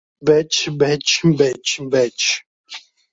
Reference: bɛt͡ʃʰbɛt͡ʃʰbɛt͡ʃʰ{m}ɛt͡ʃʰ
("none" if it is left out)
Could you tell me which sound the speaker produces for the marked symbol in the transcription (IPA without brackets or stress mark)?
b